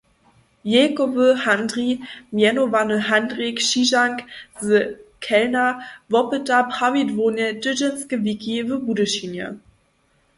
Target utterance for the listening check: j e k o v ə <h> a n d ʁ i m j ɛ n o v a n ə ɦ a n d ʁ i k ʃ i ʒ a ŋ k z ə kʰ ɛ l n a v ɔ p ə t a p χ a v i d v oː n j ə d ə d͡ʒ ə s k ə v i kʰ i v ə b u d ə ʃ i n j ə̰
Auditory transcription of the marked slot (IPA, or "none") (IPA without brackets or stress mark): h